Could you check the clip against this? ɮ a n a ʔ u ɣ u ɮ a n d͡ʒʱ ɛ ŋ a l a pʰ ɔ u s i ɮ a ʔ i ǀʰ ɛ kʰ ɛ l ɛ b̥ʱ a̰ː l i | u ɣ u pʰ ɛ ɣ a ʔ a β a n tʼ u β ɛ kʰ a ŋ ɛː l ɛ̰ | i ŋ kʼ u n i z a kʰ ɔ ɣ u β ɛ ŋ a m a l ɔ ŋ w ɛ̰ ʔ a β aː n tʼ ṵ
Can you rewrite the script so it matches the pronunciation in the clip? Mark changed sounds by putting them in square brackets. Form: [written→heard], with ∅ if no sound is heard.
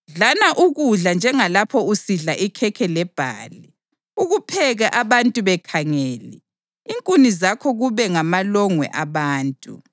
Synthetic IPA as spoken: ɮ a n a ʔ u ɣ u ɮ a n d͡ʒʱ ɛ ŋ a l a pʰ ɔ u s i ɮ a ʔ i [ǀʰ→kʰ] ɛ kʰ ɛ l ɛ b̥ʱ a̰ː l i | u ɣ u pʰ ɛ ɣ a ʔ a β a n tʼ u β ɛ kʰ a ŋ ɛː l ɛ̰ | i ŋ kʼ u n i z a kʰ ɔ ɣ u β ɛ ŋ a m a l ɔ ŋ w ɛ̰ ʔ a β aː n tʼ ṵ